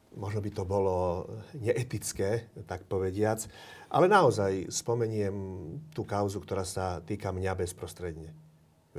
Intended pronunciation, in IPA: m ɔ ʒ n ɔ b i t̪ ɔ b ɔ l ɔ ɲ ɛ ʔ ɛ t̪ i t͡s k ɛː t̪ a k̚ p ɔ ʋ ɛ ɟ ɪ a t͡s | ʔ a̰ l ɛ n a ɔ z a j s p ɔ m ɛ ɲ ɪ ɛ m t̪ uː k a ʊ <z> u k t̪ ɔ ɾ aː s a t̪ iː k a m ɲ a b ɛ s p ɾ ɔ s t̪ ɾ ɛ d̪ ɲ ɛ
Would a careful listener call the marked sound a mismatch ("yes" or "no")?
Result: no